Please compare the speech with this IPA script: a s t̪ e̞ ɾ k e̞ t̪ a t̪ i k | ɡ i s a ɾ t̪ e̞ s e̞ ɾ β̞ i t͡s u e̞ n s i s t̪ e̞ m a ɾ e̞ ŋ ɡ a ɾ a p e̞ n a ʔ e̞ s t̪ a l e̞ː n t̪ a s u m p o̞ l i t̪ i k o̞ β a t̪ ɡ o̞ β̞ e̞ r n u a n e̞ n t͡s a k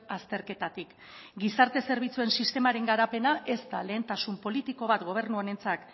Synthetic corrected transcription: a s t̪ e̞ ɾ k e̞ t̪ a t̪ i k | ɡ i s a ɾ t̪ e̞ s e̞ ɾ β̞ i t͡s u e̞ n s i s t̪ e̞ m a ɾ e̞ ŋ ɡ a ɾ a p e̞ n a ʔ e̞ s t̪ a l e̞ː n t̪ a s u m p o̞ l i t̪ i k o̞ β a t̪ ɡ o̞ β̞ e̞ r n u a n e̞ n t͡s a k